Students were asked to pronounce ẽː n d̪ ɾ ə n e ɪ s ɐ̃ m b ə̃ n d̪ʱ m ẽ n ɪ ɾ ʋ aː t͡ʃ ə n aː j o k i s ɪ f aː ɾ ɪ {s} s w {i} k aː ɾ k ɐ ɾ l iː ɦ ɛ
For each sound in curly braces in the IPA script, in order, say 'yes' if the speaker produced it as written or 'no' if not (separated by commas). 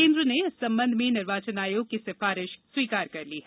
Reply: no, no